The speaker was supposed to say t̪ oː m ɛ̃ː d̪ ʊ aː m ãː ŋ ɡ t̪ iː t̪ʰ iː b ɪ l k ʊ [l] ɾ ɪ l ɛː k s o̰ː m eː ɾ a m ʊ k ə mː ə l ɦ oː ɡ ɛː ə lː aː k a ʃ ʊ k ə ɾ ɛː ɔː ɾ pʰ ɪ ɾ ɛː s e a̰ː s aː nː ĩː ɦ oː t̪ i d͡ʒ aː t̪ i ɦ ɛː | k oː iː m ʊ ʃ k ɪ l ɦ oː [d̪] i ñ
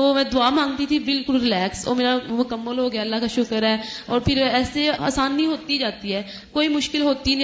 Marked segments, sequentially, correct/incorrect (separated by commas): correct, incorrect